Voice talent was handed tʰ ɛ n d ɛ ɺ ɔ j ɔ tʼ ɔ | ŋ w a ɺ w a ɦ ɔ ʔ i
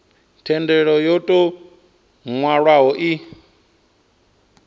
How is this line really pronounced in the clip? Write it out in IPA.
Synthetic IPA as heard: tʰ ɛ n d ɛ ɺ ɔ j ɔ tʼ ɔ | ŋ w a ɺ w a ɦ ɔ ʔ i